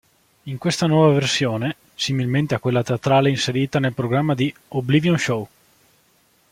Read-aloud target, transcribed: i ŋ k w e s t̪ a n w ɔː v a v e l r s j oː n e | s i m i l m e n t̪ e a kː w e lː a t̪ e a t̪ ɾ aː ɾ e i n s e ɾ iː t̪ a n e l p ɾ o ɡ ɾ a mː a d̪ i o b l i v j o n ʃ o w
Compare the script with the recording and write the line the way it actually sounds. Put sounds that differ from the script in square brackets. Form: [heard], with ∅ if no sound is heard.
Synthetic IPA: i ŋ k w e s t̪ a n w ɔː v a v e [∅] r s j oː n e | s i m i l m e n t̪ e a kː w e lː a t̪ e a t̪ ɾ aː [l] e i n s e ɾ iː t̪ a n e l p ɾ o ɡ ɾ a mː a d̪ i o b l i v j o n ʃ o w